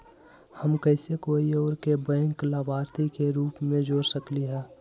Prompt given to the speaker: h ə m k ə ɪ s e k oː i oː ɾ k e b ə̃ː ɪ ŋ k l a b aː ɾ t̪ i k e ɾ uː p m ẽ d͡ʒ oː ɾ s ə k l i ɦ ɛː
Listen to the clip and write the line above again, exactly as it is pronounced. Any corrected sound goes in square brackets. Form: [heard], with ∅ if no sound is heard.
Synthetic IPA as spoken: h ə m k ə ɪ s e k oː i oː ɾ k e b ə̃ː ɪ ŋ k l a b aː ɾ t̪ i k e ɾ uː p m ẽ d͡ʒ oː ɾ s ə k l i ɦ ɛː